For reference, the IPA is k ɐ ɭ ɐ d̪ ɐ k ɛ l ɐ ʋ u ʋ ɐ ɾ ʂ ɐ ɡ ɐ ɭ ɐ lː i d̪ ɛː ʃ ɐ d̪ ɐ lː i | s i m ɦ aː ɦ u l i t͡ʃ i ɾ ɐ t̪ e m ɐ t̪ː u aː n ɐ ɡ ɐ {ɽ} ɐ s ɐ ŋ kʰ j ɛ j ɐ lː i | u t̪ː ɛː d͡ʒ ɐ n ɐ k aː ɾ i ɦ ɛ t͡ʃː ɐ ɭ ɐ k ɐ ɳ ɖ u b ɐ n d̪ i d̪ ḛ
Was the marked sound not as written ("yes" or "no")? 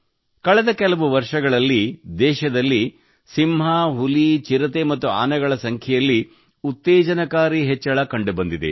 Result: yes